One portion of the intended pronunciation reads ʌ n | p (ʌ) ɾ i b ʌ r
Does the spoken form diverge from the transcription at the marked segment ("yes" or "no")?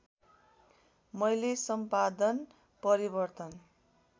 no